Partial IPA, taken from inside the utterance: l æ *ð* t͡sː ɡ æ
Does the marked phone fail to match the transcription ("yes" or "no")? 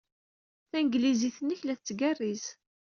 yes